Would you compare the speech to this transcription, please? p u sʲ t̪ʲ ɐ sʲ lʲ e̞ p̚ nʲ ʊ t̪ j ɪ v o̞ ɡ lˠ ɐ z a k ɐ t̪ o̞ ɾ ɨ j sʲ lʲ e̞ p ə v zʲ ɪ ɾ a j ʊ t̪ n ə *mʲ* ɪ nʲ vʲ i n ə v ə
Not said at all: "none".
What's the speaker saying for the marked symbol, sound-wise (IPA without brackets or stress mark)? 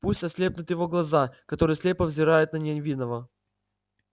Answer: nʲ